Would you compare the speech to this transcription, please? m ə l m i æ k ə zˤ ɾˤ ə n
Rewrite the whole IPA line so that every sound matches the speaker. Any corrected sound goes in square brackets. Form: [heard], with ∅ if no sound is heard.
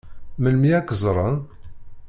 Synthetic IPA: m ə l m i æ k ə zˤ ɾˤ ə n